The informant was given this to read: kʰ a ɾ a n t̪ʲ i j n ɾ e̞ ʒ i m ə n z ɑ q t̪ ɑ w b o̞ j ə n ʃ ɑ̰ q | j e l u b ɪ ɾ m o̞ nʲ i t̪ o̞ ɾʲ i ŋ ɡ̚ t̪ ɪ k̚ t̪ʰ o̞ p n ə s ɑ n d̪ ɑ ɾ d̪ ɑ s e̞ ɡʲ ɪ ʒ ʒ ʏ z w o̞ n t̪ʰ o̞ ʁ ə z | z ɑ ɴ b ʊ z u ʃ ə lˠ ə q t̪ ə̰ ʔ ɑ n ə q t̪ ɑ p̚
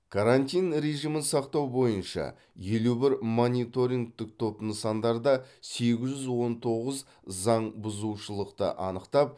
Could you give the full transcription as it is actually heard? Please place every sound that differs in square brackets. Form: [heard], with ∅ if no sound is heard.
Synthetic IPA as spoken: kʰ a ɾ a n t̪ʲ i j n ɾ e̞ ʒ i m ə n [s] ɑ q t̪ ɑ w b o̞ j ə n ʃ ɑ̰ [∅] | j e l u b ɪ ɾ m o̞ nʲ i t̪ o̞ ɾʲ i ŋ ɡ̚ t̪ ɪ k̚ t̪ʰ o̞ p n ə s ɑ n d̪ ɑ ɾ d̪ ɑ s e̞ ɡʲ ɪ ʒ ʒ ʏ z w o̞ n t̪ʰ o̞ ʁ ə z | z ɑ ɴ b ʊ z u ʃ ə lˠ ə q t̪ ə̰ ʔ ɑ n ə q t̪ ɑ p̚

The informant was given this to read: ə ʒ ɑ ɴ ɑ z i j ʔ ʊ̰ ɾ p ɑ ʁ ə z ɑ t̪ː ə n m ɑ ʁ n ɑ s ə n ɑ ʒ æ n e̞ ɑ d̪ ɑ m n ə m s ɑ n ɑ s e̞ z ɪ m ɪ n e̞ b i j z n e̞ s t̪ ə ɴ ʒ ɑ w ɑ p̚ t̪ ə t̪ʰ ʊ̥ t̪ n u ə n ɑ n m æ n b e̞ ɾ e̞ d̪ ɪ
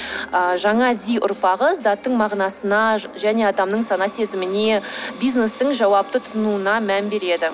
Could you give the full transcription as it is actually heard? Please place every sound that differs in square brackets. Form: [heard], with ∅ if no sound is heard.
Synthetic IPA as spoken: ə ʒ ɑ ɴ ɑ z i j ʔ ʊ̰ ɾ p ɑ ʁ ə z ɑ t̪ː ə [ɴ] m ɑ ʁ n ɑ s ə n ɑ ʒ æ n e̞ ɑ d̪ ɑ m n ə [ɴ] s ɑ n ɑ s e̞ z ɪ m ɪ n e̞ b i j z n e̞ s t̪ ə ɴ ʒ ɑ w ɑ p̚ t̪ ə t̪ʰ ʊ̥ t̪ n u ə n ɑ [∅] m æ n b e̞ ɾ e̞ d̪ ɪ

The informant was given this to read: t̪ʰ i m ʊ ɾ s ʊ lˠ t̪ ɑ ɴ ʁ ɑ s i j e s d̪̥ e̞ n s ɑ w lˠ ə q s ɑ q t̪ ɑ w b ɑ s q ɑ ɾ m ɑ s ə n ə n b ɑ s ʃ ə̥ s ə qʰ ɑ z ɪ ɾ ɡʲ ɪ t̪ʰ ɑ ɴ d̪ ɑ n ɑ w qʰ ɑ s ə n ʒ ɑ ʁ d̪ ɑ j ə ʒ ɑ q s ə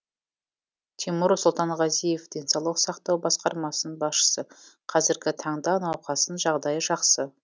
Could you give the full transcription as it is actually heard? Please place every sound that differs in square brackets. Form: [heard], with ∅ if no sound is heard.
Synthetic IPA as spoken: t̪ʰ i m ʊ ɾ s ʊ lˠ t̪ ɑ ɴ ʁ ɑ [z] i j e [f] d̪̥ e̞ n s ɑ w lˠ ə q s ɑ q t̪ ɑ w b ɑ s q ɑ ɾ m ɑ s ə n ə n b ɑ s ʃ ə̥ s ə qʰ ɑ z ɪ ɾ ɡʲ ɪ t̪ʰ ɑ ɴ d̪ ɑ n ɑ w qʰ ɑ s ə n ʒ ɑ ʁ d̪ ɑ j ə ʒ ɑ q s ə

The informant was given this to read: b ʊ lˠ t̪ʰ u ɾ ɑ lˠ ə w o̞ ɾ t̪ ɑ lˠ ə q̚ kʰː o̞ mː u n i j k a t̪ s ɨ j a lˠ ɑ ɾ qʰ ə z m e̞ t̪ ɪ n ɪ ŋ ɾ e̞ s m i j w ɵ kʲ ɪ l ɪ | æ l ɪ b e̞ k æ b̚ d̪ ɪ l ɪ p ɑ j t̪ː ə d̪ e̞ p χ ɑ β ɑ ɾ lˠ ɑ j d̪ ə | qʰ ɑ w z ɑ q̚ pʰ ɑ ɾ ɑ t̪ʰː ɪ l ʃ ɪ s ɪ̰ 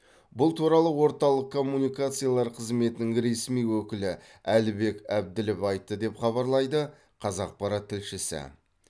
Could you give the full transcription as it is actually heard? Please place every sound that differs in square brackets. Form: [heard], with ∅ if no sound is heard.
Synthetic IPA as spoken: b ʊ lˠ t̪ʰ u ɾ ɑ lˠ ə w o̞ ɾ t̪ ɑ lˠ ə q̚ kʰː o̞ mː u n i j k a t̪ s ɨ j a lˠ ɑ ɾ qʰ ə z m e̞ t̪ ɪ n ɪ ŋ ɾ e̞ s m i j w ɵ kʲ ɪ l ɪ | æ l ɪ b e̞ k æ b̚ d̪ ɪ l ɪ p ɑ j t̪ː ə d̪ e̞ p χ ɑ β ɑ ɾ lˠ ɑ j d̪ ə | qʰ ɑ [∅] z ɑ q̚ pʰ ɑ ɾ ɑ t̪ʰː ɪ l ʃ ɪ s ɪ̰

